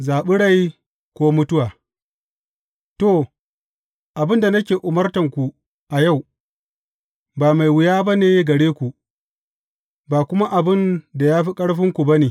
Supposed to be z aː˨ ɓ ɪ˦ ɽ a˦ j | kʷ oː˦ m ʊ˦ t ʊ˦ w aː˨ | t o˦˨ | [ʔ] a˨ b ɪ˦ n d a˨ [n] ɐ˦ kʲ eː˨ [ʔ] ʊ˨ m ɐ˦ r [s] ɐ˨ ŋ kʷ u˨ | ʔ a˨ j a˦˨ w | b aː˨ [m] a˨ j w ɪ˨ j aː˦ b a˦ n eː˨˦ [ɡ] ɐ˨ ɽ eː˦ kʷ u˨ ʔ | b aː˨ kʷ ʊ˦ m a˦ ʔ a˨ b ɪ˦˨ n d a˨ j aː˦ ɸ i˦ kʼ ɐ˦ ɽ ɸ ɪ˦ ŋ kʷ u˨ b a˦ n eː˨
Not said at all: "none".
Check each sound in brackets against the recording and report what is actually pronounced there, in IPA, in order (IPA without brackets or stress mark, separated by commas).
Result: ʔ, n, ʔ, t, m, ɡ